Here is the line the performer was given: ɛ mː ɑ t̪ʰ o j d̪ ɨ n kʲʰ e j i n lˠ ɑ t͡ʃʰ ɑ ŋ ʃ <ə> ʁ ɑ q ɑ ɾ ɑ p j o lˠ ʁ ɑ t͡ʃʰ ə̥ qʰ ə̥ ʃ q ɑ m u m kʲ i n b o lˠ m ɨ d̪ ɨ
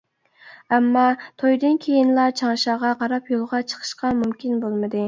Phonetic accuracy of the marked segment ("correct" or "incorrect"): incorrect